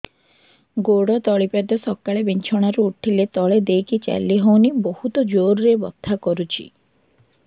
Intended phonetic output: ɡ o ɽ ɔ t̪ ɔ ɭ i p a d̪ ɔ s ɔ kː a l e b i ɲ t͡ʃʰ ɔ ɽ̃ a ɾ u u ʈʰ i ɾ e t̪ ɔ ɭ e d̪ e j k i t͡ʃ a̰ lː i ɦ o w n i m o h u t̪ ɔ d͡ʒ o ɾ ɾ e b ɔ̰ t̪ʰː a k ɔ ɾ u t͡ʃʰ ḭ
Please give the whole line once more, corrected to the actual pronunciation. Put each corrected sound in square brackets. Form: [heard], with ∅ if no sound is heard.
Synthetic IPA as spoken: ɡ o ɽ ɔ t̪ ɔ ɭ i p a d̪ ɔ s ɔ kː a [ɭ] e b i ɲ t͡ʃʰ ɔ ɽ̃ a ɾ u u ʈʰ i [l] e t̪ ɔ ɭ e d̪ e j k i t͡ʃ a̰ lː i ɦ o w n i [b] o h u t̪ ɔ d͡ʒ o ɾ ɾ e b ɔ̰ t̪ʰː a k ɔ ɾ u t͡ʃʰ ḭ

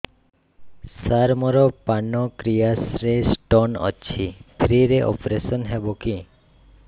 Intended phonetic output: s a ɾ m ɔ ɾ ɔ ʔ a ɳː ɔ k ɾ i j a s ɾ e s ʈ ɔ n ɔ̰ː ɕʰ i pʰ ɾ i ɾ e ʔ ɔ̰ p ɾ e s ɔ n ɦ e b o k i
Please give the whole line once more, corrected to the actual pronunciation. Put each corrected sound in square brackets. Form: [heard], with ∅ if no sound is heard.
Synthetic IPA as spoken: s a ɾ m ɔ ɾ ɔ [p] a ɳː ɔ k ɾ i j a s ɾ e s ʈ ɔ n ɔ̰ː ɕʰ i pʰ ɾ i ɾ e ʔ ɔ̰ p ɾ e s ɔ n ɦ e b o k i

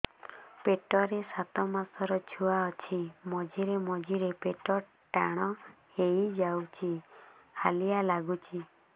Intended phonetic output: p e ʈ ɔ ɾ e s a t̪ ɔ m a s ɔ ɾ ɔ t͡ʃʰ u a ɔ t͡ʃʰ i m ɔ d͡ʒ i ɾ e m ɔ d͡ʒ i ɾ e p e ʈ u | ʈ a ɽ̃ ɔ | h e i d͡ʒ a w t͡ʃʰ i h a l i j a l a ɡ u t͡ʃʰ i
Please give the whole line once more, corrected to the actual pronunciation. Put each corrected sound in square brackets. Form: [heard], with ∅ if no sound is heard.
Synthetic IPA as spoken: p e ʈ ɔ ɾ e s a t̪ ɔ m a s ɔ ɾ ɔ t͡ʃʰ u a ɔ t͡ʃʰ i m ɔ d͡ʒ i ɾ e m ɔ d͡ʒ i ɾ e p e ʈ [ɔ] | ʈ a ɽ̃ ɔ | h e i d͡ʒ a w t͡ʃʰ i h a l i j a l a ɡ u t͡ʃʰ i

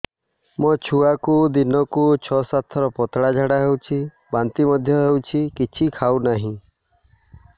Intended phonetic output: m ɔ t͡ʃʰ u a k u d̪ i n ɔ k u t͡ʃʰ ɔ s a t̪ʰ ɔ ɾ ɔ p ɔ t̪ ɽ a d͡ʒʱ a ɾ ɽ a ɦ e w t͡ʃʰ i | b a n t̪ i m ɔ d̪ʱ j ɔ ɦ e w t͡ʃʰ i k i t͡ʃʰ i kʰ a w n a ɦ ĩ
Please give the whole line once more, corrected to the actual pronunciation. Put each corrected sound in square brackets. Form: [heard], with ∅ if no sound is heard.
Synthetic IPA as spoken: m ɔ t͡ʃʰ u a k u d̪ i n ɔ k u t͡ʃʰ ɔ s a t̪ʰ ɔ ɾ ɔ p ɔ t̪ ɽ a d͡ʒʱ a [∅] ɽ a ɦ e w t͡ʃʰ i | b a n t̪ i m ɔ d̪ʱ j ɔ ɦ e w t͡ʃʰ i k i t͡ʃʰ i kʰ a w n a ɦ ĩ

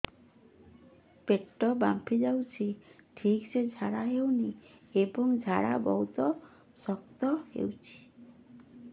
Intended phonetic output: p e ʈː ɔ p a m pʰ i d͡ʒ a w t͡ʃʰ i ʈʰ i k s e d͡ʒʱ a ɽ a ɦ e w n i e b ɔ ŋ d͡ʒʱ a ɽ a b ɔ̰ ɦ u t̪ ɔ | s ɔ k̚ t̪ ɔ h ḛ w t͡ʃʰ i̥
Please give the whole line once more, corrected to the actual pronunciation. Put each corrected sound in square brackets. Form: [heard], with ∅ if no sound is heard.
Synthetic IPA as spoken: p e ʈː ɔ [b] a m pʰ i d͡ʒ a w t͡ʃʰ i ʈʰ i k s e d͡ʒʱ a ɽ a ɦ e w n i e b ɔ ŋ d͡ʒʱ a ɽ a b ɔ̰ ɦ u t̪ ɔ | s ɔ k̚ t̪ ɔ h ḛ w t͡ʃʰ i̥

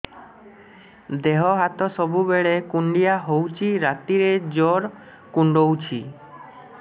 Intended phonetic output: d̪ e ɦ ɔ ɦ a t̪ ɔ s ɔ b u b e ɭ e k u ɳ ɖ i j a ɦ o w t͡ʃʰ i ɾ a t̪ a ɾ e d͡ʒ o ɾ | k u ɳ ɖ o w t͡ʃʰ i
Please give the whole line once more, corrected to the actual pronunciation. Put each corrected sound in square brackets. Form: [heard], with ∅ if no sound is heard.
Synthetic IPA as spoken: d̪ e ɦ ɔ ɦ a t̪ ɔ s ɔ b u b e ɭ e k u ɳ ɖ i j a ɦ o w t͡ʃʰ i ɾ a t̪ [i] ɾ e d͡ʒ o ɾ | k u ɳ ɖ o w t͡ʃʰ i

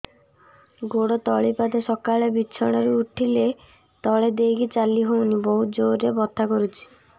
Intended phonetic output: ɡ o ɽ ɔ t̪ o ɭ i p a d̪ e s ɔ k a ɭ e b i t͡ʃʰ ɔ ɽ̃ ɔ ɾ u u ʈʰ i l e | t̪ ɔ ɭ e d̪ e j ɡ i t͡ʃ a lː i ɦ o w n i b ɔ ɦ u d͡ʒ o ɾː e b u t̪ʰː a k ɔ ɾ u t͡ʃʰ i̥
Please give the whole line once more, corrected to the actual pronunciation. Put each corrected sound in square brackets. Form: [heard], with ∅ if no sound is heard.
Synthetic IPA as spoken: ɡ o ɽ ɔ t̪ [ɔ] ɭ i p a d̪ e s ɔ k a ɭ e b i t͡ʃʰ ɔ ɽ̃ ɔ ɾ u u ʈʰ i l e | t̪ ɔ ɭ e d̪ e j ɡ i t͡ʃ a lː i ɦ o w n i b ɔ ɦ u d͡ʒ o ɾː e b [ɔ] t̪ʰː a k ɔ ɾ u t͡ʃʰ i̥

